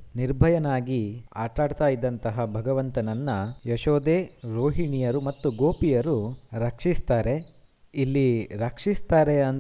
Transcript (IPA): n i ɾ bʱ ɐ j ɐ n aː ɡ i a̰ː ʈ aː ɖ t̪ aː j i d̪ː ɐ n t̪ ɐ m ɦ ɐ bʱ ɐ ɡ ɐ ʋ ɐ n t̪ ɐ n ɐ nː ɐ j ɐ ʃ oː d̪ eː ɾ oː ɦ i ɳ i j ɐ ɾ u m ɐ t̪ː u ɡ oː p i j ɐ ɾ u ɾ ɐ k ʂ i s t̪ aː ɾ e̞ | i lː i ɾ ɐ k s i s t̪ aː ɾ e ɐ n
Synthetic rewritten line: n i ɾ bʱ ɐ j ɐ n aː ɡ i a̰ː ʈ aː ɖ t̪ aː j i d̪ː ɐ n t̪ ɐ ɦ ɐ bʱ ɐ ɡ ɐ ʋ ɐ n t̪ ɐ n ɐ nː ɐ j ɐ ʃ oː d̪ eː ɾ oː ɦ i ɳ i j ɐ ɾ u m ɐ t̪ː u ɡ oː p i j ɐ ɾ u ɾ ɐ k ʂ i s t̪ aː ɾ e̞ | i lː i ɾ ɐ k ʂ i s t̪ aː ɾ e ɐ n